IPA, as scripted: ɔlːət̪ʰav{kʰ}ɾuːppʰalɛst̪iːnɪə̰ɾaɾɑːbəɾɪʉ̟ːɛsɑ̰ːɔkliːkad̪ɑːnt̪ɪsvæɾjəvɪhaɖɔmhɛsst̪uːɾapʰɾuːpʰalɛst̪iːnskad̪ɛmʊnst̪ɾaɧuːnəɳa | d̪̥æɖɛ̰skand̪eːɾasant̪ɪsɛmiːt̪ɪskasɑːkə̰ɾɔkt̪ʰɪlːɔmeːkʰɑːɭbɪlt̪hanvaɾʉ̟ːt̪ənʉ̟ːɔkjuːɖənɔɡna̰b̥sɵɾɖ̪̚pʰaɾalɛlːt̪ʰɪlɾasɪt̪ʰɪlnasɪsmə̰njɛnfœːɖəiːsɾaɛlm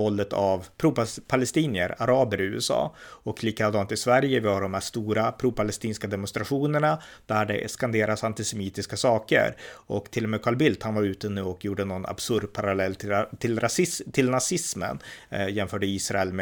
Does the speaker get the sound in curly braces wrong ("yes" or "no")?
yes